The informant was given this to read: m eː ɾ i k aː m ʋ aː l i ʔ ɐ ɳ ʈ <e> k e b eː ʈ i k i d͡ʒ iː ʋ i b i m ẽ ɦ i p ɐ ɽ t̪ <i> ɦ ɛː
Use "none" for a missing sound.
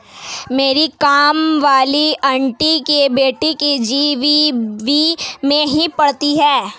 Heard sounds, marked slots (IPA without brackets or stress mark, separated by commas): i, i